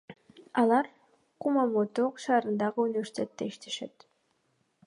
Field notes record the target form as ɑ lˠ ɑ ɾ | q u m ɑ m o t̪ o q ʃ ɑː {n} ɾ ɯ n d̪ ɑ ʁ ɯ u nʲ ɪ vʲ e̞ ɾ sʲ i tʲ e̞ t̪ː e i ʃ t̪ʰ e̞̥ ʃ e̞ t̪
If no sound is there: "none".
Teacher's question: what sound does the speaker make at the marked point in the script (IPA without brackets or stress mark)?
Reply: none